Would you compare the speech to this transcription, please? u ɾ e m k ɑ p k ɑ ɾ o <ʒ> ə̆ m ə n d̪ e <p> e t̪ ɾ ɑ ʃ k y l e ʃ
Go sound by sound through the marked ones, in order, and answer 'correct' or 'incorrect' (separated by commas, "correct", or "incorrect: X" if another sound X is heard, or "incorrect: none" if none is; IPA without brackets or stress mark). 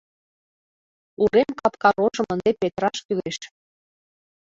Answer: correct, correct